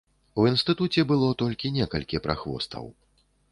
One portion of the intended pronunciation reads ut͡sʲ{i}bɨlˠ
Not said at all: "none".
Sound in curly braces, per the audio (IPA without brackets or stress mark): ɛ